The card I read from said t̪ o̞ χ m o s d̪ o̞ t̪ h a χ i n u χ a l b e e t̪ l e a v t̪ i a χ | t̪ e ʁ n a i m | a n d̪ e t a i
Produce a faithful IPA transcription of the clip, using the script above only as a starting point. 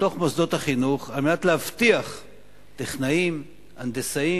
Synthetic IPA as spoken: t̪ o̞ χ m o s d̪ o̞ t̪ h a χ i n u χ a l m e a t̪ l e a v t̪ i a χ | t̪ e χ n a i m | a n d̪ e s a i